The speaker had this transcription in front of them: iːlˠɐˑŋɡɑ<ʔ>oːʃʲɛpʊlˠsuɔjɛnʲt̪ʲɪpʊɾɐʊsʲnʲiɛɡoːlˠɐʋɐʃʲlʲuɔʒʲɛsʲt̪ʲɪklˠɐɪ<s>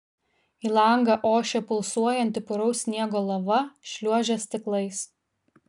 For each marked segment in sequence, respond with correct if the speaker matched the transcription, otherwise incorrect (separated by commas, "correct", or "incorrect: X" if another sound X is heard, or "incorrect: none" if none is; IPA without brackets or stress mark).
correct, correct